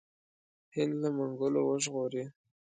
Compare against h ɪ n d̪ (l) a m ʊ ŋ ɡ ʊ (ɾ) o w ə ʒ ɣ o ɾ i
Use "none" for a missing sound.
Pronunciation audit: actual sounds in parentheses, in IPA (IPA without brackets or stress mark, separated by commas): l, l